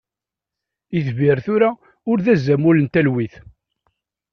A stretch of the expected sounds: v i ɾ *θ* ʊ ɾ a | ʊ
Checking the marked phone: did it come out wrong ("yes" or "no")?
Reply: no